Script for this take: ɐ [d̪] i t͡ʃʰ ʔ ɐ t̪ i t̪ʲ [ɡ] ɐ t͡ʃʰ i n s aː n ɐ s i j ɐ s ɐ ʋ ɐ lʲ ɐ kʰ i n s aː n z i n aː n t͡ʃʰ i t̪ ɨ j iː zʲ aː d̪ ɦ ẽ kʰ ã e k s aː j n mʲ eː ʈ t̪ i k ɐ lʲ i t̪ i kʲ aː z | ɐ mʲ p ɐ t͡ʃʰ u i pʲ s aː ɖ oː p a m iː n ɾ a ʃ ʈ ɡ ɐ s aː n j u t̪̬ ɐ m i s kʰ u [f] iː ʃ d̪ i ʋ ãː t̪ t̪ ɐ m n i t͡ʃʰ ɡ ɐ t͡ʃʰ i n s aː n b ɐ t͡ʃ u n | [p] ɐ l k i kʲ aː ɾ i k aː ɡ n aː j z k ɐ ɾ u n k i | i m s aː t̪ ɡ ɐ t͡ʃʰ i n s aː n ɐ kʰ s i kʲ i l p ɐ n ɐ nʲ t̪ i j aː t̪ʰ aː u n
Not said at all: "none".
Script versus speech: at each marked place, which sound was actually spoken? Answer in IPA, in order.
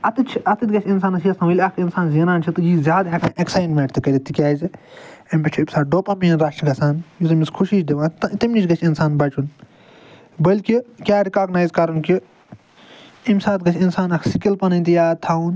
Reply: t̪, ɡ, ʃ, b

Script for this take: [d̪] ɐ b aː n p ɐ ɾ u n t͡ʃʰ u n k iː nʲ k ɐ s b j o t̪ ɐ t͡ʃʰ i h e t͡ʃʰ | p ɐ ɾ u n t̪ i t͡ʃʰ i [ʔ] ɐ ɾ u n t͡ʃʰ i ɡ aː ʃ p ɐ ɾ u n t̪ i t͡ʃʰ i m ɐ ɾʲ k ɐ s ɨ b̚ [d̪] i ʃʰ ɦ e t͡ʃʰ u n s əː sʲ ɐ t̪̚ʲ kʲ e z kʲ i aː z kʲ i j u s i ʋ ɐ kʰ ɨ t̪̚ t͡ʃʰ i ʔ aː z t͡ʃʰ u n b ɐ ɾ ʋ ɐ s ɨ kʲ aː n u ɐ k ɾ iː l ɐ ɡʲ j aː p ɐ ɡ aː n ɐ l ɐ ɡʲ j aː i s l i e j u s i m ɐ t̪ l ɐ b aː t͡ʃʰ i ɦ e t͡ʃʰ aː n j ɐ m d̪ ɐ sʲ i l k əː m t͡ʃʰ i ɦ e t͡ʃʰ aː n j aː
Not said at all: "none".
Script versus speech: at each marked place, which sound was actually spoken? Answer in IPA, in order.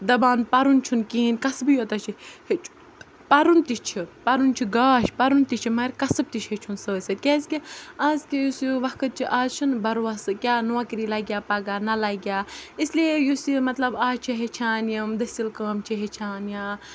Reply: d̪, p, t̪

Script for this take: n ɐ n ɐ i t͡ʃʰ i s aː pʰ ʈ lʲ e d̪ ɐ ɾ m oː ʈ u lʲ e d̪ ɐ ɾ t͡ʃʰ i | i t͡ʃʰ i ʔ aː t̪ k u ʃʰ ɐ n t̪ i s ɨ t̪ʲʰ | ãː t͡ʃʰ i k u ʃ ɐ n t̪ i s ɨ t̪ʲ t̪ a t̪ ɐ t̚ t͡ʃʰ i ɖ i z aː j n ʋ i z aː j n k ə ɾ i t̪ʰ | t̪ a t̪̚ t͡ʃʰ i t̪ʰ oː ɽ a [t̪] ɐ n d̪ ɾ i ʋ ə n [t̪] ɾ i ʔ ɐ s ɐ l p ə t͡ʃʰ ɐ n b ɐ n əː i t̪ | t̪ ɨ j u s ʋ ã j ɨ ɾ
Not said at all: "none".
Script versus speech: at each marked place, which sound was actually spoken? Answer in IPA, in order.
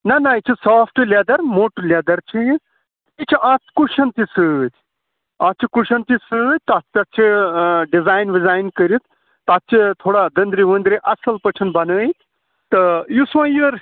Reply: d̪, d̪

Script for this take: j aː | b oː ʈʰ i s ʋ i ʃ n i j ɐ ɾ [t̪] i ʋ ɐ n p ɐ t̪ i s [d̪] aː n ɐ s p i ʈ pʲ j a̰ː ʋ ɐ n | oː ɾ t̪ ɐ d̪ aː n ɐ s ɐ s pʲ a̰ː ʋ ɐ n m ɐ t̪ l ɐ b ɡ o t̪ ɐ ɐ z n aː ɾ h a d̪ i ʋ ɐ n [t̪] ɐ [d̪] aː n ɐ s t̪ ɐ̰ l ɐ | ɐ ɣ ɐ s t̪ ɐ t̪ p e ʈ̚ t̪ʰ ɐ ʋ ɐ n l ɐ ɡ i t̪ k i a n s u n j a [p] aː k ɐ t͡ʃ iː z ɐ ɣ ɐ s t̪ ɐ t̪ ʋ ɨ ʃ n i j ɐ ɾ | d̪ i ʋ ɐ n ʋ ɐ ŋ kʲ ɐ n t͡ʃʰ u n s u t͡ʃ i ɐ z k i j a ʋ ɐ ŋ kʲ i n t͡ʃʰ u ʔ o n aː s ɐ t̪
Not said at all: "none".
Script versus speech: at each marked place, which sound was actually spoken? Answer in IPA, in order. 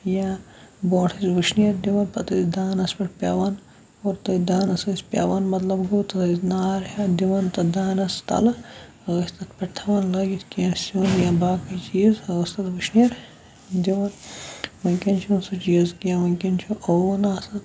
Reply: d̪, d̪, t̪, d̪, b

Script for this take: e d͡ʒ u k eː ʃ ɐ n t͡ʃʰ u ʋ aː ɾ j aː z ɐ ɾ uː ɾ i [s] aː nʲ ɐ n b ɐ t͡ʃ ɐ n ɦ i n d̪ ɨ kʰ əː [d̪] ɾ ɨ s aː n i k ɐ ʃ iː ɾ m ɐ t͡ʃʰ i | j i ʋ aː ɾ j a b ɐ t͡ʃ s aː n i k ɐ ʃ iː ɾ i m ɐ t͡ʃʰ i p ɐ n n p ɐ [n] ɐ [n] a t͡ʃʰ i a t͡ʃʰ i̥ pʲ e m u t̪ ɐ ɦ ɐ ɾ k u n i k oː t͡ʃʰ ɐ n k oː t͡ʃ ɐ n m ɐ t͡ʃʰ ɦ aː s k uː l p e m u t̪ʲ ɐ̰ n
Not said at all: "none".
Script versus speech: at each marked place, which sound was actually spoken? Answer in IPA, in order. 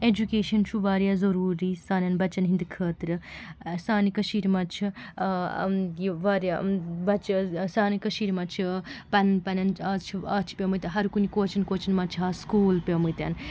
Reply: s, t̪, n, n

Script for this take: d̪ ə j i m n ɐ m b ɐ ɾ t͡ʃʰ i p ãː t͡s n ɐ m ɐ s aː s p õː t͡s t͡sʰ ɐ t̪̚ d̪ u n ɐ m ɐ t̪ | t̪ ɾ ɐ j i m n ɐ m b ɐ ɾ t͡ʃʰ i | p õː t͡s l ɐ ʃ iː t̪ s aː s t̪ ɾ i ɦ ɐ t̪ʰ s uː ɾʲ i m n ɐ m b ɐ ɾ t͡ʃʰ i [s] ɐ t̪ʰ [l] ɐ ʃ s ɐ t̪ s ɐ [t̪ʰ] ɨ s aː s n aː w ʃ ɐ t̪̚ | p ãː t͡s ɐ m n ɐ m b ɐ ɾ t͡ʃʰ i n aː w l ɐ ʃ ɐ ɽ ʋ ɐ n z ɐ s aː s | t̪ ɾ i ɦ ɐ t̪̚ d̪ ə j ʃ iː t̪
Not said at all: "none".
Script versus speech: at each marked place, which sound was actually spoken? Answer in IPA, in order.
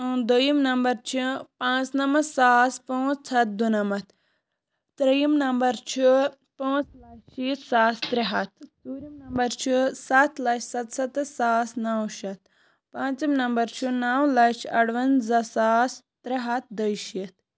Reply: s, l, t̪

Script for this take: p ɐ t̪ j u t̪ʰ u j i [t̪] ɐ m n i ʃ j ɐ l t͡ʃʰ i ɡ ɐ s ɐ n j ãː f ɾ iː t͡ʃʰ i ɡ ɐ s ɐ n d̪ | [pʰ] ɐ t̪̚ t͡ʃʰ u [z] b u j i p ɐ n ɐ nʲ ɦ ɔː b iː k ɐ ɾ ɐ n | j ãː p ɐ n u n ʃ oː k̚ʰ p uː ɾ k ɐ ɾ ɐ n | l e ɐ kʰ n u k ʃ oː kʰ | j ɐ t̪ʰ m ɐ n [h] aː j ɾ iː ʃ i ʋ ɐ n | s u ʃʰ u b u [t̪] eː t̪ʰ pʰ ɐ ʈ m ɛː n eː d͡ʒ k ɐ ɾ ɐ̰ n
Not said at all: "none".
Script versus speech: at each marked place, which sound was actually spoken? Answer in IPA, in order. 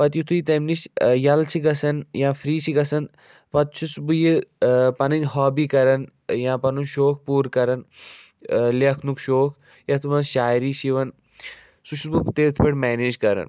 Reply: t̪, p, s, ʃ, t̪

